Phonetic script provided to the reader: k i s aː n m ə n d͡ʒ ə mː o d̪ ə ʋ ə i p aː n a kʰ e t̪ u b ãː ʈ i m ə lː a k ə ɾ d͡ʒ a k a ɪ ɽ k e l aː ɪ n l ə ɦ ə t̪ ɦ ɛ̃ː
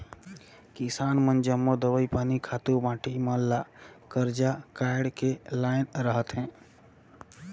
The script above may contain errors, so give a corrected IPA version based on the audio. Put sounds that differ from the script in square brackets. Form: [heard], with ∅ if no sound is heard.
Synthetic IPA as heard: k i s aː n m ə n d͡ʒ ə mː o d̪ ə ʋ ə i p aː n [i] kʰ [a] t̪ u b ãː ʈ i m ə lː a k ə ɾ d͡ʒ a k a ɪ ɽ k e l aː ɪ n [ɾ] ə ɦ ə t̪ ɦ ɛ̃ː